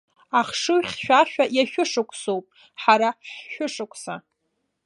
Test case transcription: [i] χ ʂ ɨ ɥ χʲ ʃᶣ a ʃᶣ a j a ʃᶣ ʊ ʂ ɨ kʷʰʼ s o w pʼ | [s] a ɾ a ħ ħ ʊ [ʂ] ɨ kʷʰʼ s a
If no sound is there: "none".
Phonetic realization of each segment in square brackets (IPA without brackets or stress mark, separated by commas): a, ħ, ʂ